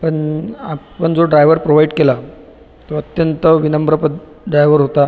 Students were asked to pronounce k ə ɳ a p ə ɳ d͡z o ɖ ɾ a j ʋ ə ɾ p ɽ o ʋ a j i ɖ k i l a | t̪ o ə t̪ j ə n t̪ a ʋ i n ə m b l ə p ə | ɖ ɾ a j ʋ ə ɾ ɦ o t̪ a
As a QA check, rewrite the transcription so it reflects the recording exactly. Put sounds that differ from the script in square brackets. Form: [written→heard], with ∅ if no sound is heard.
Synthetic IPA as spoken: [k→p] ə ɳ a p ə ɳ d͡z o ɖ ɾ a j ʋ ə ɾ p [ɽ→ɾ] o ʋ a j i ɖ k [i→e] l a | t̪ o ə t̪ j ə n t̪ [a→ə] ʋ i n ə m b [l→ɾ] ə p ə | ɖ ɾ a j ʋ ə ɾ ɦ o t̪ a